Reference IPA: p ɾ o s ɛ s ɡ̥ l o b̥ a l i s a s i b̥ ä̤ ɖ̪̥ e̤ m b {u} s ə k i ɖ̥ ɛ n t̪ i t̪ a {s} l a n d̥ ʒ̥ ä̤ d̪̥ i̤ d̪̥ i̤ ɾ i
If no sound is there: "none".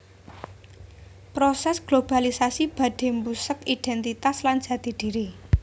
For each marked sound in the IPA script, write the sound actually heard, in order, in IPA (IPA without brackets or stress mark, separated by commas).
u, s